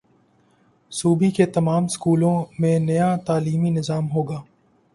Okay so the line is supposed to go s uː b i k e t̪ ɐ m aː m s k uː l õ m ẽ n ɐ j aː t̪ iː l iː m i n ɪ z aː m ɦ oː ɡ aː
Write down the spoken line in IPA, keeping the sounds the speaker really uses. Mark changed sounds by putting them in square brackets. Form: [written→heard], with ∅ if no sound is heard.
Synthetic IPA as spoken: s uː b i k e t̪ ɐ m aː m s k uː l õ m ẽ n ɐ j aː t̪ [iː→aː] l iː m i n ɪ z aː m ɦ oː ɡ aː

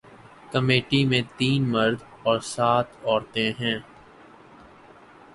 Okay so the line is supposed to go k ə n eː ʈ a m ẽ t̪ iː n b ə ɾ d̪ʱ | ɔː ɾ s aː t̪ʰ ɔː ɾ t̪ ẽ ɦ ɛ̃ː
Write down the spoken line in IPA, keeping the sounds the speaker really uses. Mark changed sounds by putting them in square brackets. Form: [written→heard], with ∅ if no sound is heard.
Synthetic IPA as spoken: k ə [n→m] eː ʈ [a→i] m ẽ t̪ iː n [b→m] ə ɾ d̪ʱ | ɔː ɾ s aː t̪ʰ ɔː ɾ t̪ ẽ ɦ ɛ̃ː

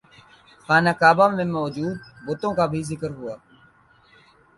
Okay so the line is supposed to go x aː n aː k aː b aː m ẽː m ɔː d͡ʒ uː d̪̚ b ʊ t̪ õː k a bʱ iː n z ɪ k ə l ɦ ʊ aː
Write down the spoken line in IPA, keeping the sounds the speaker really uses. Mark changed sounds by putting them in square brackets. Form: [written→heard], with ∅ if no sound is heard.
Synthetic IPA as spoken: x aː n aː k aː b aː m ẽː m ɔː d͡ʒ uː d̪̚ b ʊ t̪ õː k a bʱ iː [n→∅] z ɪ k ə [l→ɾ] ɦ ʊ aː

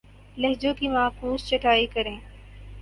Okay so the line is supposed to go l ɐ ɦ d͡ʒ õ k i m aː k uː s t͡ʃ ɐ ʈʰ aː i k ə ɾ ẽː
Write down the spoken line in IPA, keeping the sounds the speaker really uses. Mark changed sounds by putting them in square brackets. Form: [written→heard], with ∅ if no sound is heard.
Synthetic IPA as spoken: l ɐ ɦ d͡ʒ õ k i m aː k uː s t͡ʃ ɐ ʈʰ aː i k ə ɾ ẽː

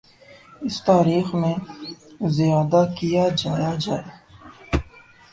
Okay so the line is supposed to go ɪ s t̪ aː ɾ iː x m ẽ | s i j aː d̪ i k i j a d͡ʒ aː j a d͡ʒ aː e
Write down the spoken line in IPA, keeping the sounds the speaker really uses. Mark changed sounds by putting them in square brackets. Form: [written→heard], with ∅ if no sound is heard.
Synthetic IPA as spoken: ɪ s t̪ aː ɾ iː x m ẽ | [s→z] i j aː d̪ [i→a] k i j a d͡ʒ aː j a d͡ʒ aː e

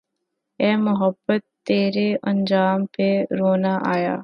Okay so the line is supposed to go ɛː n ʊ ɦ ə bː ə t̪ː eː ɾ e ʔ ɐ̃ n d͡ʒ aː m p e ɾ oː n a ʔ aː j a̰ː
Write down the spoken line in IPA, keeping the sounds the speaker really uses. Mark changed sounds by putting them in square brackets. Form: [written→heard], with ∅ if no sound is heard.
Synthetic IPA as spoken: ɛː [n→m] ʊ ɦ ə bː ə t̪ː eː ɾ e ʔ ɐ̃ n d͡ʒ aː m p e ɾ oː n a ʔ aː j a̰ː

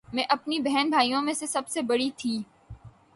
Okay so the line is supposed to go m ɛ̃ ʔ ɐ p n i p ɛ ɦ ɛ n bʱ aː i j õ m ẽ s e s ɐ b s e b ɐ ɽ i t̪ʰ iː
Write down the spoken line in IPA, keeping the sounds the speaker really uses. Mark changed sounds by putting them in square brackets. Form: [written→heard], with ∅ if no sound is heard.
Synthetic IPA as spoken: m ɛ̃ ʔ ɐ p n i [p→b] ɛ ɦ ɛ n bʱ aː i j õ m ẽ s e s ɐ b s e b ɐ ɽ i t̪ʰ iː

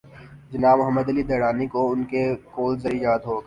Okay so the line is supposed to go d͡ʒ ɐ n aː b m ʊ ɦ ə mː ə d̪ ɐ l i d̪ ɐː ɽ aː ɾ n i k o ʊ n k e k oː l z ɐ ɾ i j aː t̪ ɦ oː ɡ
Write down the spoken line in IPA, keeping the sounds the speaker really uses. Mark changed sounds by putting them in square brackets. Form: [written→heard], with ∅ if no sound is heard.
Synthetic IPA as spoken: d͡ʒ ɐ n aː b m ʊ ɦ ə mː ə d̪ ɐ l i d̪ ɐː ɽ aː [ɾ→∅] n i k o ʊ n k e k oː l z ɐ ɾ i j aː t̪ ɦ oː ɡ

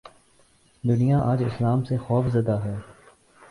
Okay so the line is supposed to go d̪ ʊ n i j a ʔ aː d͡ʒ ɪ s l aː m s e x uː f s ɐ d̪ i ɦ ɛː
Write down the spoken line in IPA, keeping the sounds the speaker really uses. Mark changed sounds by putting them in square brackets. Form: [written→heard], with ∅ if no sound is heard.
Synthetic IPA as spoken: d̪ ʊ n i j a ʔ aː d͡ʒ ɪ s l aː m s e x [uː→ɔː] f [s→z] ɐ d̪ [i→a] ɦ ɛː

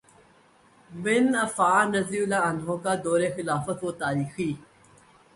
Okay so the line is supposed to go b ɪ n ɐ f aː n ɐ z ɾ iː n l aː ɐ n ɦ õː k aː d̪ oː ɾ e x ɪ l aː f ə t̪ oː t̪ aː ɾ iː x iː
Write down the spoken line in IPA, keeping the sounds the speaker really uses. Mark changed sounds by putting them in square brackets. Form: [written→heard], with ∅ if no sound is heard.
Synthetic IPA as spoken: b ɪ n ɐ f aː n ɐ z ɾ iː [n→∅] l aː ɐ n ɦ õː k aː d̪ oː ɾ e x ɪ l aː f ə t̪ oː t̪ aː ɾ iː x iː

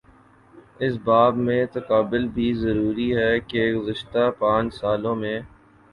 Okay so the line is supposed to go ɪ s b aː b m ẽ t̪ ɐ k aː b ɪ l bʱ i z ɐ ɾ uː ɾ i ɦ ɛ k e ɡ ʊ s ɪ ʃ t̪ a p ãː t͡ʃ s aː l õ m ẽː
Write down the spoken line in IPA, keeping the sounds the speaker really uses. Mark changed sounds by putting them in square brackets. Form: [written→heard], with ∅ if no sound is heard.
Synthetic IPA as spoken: ɪ s b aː b m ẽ t̪ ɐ k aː b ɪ l bʱ i z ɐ ɾ uː ɾ i ɦ ɛ k e ɡ ʊ [s→z] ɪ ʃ t̪ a p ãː t͡ʃ s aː l õ m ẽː

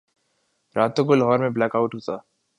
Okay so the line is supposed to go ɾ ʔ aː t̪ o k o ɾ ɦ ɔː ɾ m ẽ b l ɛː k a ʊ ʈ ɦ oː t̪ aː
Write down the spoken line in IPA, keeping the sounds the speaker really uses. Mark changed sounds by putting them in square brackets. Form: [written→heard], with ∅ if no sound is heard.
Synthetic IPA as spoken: ɾ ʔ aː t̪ o k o [ɾ→l] ɦ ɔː ɾ m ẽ b l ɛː k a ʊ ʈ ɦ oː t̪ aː

